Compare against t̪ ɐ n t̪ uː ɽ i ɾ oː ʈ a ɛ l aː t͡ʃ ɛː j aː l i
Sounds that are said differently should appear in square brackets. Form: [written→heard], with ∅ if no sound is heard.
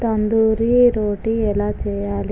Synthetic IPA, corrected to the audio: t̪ ɐ n [t̪→d̪] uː [ɽ→ɾ] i ɾ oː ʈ [a→i] ɛ l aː t͡ʃ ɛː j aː l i